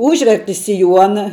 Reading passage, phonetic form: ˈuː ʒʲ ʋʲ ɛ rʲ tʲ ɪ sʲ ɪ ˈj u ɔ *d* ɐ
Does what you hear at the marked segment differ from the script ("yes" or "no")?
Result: yes